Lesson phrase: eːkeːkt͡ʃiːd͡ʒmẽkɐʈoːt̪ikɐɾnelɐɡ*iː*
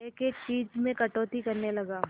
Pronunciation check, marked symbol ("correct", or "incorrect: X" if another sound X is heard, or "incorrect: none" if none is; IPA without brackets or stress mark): incorrect: aː